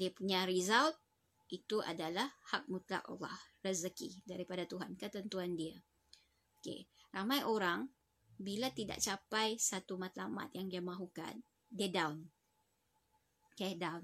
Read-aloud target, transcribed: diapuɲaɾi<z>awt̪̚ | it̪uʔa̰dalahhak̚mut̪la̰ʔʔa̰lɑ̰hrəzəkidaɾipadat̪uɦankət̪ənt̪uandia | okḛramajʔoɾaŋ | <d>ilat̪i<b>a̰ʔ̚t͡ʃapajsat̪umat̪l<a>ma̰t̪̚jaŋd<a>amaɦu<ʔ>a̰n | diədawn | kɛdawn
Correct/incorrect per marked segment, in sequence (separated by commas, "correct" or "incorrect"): correct, incorrect, incorrect, correct, incorrect, incorrect